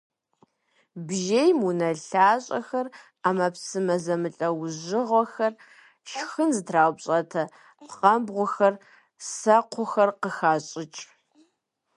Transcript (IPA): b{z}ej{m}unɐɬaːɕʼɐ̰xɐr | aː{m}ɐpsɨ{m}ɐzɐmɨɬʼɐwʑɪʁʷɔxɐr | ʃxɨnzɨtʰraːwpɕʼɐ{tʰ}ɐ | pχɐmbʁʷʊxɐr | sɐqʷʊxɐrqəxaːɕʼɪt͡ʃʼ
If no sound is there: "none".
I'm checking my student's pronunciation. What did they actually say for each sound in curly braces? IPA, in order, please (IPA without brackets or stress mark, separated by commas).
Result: ʒ, m, m, m, tʰ